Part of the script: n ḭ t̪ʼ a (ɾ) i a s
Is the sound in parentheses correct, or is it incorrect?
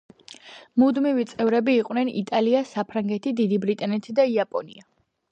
incorrect